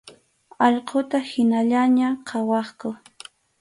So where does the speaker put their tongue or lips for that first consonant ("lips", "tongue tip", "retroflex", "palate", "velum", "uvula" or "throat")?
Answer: palate